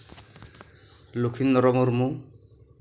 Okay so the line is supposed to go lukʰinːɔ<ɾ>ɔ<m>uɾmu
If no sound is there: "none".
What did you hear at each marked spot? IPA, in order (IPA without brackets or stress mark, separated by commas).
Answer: ɾ, m